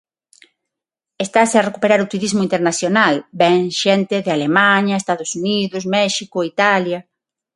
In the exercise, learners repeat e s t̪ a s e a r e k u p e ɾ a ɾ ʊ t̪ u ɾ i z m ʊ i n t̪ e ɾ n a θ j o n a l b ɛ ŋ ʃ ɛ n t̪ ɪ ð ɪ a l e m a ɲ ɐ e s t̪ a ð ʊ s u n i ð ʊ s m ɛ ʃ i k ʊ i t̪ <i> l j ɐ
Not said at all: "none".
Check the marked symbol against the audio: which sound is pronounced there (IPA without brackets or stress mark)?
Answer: a